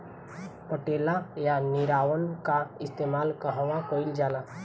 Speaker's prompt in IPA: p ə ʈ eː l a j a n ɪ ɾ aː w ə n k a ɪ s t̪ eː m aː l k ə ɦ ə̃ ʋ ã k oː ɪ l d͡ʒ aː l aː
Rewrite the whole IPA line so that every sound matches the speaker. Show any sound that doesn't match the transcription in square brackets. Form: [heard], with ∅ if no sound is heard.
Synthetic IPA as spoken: p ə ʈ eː l a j a n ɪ ɾ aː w ə n k a ɪ s t̪ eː m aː l k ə ɦ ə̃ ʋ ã k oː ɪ l d͡ʒ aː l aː